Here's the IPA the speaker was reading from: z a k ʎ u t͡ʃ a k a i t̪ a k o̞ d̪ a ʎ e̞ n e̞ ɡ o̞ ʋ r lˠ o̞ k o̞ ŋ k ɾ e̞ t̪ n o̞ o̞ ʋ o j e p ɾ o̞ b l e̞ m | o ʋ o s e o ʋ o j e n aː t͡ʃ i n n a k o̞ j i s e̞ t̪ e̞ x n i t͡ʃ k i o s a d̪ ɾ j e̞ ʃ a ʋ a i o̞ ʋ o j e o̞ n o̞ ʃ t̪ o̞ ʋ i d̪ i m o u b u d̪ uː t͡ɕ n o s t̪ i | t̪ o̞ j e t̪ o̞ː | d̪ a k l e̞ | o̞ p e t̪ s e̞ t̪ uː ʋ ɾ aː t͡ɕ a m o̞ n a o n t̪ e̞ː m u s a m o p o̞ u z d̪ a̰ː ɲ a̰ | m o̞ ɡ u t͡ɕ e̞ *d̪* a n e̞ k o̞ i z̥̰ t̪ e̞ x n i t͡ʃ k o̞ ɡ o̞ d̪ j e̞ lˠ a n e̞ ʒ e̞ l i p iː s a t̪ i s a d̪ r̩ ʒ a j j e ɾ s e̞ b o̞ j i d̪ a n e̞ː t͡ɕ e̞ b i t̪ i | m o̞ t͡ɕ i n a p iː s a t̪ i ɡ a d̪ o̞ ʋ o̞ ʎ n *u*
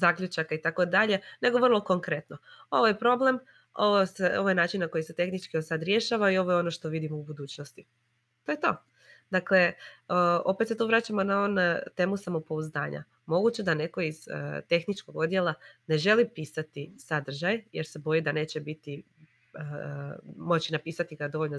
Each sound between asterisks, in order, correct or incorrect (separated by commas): correct, incorrect